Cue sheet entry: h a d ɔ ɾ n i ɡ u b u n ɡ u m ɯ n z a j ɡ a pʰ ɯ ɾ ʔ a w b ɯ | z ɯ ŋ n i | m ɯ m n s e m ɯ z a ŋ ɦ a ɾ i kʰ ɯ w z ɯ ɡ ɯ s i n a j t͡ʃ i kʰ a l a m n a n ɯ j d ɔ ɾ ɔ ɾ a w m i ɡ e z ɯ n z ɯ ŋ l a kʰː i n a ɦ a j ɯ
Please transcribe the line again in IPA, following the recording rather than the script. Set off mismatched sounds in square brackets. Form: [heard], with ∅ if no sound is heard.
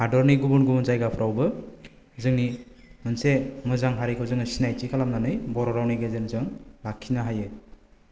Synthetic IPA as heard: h a d ɔ ɾ n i ɡ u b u n ɡ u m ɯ n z a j ɡ a pʰ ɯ ɾ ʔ a w b ɯ | z ɯ ŋ n i | m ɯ [∅] n s e m ɯ z a ŋ ɦ a ɾ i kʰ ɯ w z ɯ [ŋ] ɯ s i n a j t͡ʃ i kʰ a l a m n a n ɯ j [b] ɔ ɾ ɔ ɾ a w [n] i ɡ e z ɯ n z ɯ ŋ l a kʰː i n a ɦ a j ɯ